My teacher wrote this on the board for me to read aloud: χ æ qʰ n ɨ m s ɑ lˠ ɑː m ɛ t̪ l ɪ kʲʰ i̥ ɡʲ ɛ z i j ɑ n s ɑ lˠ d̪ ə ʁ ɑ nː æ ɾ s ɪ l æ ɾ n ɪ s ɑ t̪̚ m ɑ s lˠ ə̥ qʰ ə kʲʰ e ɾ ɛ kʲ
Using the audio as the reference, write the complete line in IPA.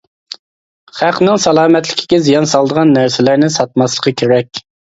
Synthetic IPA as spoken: χ æ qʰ n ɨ ŋ s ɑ lˠ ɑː m ɛ t̪ l ɪ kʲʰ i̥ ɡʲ ɛ z i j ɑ n s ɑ lˠ d̪ ə ʁ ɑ nː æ ɾ s ɪ l æ ɾ n ɪ s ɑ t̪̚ m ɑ s lˠ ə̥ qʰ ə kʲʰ e ɾ ɛ kʲ

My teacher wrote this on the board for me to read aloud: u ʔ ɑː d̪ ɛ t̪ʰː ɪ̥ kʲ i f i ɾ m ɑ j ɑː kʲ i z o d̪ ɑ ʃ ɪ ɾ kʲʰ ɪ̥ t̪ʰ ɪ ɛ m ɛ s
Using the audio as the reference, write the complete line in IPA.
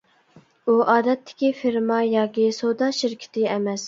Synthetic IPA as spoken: u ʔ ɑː d̪ ɛ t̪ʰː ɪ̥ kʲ i f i ɾ m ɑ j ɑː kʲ i s o d̪ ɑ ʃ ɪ ɾ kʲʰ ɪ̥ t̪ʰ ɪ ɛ m ɛ s

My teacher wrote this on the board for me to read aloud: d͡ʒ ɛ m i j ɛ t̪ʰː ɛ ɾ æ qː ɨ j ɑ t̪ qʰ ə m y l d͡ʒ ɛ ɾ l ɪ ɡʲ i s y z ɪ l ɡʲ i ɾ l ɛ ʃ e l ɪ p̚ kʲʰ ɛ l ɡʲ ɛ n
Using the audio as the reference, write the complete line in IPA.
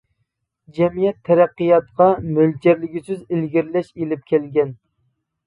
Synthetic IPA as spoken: d͡ʒ ɛ m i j ɛ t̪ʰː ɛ ɾ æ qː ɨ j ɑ t̪ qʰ ɑ m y l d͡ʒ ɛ ɾ l ɪ ɡʲ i s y z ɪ l ɡʲ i ɾ l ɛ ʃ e l ɪ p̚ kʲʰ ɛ l ɡʲ ɛ n

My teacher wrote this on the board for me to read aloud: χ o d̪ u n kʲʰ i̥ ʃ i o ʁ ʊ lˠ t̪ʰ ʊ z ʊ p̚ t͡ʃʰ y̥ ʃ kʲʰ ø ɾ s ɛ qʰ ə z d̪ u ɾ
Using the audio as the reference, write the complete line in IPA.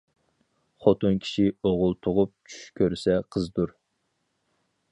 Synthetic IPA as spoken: χ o t̪ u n kʲʰ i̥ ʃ i o ʁ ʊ lˠ t̪ʰ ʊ ʁ ʊ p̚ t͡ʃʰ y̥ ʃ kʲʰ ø ɾ s ɛ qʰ ə z d̪ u ɾ

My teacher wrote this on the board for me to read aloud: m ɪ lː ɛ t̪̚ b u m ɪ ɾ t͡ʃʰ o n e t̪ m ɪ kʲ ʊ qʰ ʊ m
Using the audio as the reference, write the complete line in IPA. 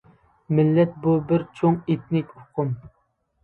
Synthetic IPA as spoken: m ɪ lː ɛ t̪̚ b u b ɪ ɾ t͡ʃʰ o ŋ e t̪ n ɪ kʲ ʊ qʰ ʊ m

